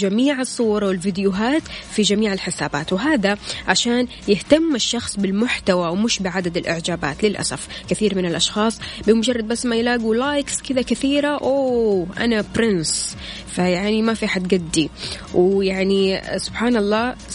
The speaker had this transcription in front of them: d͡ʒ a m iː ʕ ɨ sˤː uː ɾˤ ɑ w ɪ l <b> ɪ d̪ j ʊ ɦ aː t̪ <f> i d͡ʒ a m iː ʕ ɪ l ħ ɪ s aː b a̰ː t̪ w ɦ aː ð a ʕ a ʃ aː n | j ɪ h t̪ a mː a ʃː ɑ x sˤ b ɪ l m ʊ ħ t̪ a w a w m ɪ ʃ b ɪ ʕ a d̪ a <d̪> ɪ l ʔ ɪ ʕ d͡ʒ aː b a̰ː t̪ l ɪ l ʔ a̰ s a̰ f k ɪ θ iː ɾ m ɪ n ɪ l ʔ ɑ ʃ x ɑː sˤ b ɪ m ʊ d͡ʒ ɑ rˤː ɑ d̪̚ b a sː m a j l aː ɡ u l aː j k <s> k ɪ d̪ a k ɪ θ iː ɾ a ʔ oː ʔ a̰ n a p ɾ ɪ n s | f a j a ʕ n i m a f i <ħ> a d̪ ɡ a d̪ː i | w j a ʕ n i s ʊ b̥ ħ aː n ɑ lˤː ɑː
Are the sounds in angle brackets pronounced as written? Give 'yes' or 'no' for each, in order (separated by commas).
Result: no, yes, yes, yes, yes